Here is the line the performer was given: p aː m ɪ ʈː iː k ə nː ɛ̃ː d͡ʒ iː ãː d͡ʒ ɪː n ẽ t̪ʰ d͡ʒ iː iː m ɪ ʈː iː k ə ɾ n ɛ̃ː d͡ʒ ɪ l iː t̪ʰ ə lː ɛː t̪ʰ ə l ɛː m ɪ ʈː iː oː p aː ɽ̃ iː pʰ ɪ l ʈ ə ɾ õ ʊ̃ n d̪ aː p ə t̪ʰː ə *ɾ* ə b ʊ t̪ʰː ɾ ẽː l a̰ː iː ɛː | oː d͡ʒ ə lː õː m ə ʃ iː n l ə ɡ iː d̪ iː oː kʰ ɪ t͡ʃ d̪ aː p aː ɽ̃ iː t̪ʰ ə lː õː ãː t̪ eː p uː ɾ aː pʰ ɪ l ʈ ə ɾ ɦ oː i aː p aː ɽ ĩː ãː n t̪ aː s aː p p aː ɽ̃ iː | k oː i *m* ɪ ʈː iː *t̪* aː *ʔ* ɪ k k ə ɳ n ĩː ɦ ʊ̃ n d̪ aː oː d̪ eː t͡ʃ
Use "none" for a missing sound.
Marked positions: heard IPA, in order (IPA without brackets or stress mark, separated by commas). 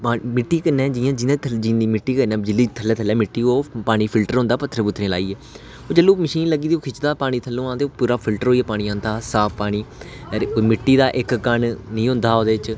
ɾ, m, d̪, ʔ